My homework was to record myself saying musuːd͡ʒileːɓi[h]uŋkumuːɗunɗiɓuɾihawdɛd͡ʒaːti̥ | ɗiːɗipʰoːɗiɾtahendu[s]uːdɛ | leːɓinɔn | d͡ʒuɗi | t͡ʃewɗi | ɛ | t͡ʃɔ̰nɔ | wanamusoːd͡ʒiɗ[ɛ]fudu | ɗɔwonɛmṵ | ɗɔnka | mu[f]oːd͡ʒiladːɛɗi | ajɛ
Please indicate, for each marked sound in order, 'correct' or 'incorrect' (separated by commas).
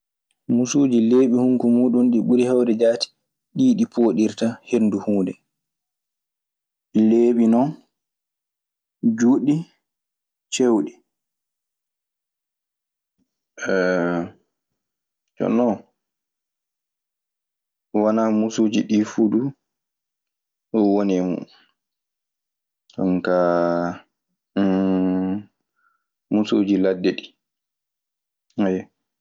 correct, incorrect, incorrect, incorrect